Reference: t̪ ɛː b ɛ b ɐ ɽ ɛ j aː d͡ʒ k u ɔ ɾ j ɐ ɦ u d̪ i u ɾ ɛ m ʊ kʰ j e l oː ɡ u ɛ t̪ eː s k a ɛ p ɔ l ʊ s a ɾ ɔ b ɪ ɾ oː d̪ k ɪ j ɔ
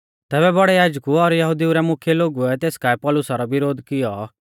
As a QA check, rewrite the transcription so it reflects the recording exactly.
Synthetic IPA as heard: t̪ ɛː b ɛ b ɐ ɽ ɛ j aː d͡ʒ k u ɔ ɾ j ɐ ɦ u d̪ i u ɾ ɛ m ʊ kʰ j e l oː ɡ u ɛ t̪ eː s k a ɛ p ɔ l ʊ s a ɾ ɔ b ɪ ɾ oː d̪ k ɪ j ɔ